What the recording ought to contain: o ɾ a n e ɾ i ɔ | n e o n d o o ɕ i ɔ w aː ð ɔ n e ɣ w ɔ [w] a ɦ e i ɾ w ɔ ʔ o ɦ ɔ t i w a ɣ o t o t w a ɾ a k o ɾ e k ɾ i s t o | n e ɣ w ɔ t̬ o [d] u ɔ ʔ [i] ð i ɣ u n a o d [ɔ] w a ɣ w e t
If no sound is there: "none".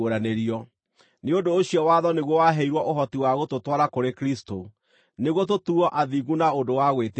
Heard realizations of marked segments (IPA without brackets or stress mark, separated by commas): w, t, a, o